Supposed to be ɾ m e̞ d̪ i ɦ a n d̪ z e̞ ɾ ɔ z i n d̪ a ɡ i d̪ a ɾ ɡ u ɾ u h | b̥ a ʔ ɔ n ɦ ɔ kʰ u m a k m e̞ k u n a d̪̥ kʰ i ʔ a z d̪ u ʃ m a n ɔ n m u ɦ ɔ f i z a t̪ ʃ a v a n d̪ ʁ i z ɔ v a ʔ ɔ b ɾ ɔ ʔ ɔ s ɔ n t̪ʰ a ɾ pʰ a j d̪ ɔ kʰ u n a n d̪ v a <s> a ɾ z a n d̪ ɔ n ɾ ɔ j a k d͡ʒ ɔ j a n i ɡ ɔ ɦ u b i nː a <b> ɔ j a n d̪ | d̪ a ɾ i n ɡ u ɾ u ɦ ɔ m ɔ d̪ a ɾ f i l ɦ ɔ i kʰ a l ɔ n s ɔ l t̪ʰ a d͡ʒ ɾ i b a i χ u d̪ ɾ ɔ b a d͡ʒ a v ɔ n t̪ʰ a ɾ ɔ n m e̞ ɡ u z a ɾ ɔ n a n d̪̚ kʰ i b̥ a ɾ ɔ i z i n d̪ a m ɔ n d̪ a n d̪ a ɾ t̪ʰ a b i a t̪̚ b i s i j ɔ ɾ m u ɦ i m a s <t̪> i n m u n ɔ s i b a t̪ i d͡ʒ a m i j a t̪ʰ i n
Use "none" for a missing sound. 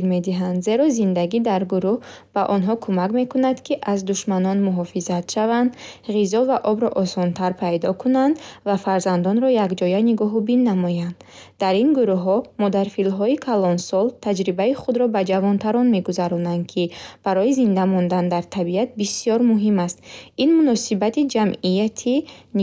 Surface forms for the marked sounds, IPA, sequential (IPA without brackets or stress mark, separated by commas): f, m, t̪